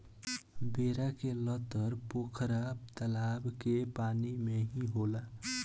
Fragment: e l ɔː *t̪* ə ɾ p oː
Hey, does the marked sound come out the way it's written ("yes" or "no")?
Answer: yes